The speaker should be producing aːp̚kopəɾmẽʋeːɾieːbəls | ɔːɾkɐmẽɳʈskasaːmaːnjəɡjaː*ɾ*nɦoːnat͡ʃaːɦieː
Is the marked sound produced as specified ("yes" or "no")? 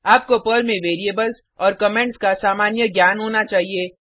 no